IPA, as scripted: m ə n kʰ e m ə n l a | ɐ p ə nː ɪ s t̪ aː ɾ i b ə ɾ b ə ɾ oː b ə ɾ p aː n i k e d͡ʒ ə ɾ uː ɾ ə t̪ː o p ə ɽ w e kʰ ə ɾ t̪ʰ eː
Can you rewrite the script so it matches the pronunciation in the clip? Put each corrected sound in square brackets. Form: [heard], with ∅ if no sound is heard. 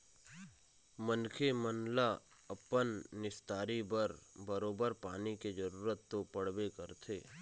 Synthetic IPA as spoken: m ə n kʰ e m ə n l a | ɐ p ə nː ɪ s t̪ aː ɾ i b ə ɾ b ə ɾ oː b ə ɾ p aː n i k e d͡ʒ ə ɾ uː ɾ ə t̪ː o p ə ɽ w e [k] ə ɾ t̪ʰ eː